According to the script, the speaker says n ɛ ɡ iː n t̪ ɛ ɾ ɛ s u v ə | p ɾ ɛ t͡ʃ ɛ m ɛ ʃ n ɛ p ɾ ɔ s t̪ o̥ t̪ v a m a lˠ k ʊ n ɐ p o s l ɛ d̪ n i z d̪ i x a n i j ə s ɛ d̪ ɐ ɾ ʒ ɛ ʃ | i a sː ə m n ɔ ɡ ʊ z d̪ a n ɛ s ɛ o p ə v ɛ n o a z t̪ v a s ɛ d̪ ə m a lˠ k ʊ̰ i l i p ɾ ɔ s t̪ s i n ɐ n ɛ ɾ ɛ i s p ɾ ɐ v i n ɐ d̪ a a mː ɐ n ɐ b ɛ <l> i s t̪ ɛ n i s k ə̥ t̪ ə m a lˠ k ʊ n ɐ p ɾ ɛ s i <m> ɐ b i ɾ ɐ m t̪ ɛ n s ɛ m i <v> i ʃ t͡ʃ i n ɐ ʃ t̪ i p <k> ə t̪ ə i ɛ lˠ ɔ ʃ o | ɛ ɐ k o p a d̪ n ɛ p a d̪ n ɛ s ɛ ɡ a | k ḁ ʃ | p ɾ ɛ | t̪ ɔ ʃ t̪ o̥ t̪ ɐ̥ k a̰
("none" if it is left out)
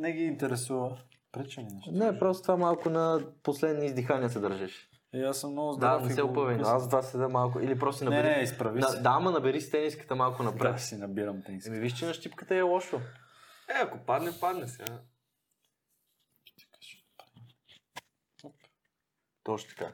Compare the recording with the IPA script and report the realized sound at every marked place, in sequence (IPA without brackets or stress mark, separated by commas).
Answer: ɾ, n, v, k